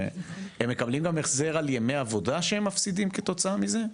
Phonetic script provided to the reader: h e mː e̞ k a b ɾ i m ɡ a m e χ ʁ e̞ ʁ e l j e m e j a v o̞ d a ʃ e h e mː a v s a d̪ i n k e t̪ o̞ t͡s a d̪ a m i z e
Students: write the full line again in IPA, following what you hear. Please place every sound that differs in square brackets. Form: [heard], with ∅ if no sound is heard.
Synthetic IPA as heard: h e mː e̞ k a b [l] i m ɡ a m e χ [z] e̞ ʁ [a] l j e m e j a v o̞ d a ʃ e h e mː a [f] s [i] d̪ i [m] k e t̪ o̞ t͡s a [∅] a m i z e